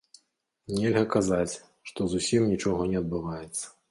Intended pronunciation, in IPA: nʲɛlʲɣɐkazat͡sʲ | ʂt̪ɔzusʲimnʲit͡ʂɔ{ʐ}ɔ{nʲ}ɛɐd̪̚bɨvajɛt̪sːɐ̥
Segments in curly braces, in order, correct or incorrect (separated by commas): incorrect, correct